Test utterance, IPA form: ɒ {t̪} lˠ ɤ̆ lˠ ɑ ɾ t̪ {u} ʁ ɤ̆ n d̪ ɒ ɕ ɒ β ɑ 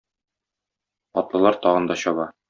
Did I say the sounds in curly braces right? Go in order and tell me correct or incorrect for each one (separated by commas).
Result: correct, incorrect